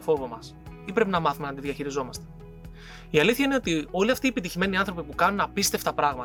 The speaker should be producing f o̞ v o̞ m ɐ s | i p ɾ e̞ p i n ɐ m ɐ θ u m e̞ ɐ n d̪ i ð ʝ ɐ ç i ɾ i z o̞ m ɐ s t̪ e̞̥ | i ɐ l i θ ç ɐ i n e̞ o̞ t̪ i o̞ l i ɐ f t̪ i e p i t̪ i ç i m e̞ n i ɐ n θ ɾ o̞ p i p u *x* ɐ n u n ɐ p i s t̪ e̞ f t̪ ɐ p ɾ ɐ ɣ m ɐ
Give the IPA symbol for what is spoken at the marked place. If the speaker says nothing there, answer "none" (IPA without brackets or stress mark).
k